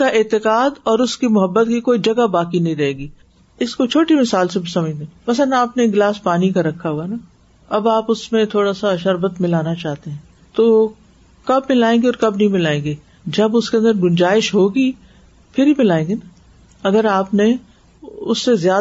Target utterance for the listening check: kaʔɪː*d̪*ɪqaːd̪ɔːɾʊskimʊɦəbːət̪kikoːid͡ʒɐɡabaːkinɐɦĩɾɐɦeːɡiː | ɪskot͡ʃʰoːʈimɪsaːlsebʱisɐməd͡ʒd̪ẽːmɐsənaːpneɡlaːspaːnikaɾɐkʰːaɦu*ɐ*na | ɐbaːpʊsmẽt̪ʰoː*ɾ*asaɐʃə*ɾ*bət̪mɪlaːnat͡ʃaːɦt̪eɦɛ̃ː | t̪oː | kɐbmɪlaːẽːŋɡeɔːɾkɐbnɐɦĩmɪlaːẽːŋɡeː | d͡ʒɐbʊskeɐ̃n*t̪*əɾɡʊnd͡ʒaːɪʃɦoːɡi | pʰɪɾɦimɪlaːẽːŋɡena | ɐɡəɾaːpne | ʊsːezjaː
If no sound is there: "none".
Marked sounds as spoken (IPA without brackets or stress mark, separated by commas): t̪, a, ɽ, ɾ, d̪